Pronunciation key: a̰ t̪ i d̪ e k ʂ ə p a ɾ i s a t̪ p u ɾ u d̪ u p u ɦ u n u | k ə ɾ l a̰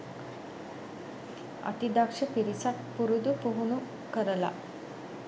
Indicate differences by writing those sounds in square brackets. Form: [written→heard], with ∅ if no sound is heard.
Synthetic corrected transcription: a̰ t̪ i d̪ [e→a] k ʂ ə p [a→i] ɾ i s a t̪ p u ɾ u d̪ u p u ɦ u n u | k ə ɾ l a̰